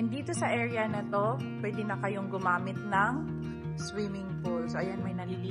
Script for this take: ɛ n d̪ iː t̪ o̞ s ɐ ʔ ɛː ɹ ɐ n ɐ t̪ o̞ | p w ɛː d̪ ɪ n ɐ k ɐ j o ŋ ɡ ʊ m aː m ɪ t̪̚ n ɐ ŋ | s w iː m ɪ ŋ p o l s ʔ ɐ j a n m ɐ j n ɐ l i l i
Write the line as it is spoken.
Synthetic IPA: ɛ n d̪ iː t̪ o̞ s ɐ ʔ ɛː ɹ ɐ n ɐ t̪ o̞ | p w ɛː d̪ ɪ n ɐ k ɐ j o ŋ ɡ ʊ m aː m ɪ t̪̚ n ɐ ŋ | s w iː m ɪ ŋ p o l s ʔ ɐ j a n m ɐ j n ɐ l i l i